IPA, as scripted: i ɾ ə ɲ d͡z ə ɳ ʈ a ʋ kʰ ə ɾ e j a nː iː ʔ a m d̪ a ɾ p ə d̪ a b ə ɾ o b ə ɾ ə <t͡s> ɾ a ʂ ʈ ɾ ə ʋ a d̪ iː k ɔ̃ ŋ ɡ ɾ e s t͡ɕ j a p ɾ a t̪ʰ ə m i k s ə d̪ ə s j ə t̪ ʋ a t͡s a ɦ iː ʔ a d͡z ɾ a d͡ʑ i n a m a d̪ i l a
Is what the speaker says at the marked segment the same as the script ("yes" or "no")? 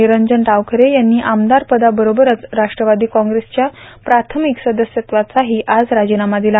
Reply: yes